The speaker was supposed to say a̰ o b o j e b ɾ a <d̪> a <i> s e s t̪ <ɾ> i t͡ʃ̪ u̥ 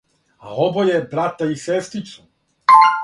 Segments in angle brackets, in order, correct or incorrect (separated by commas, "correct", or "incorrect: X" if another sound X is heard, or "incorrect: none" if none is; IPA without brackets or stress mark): incorrect: t̪, correct, correct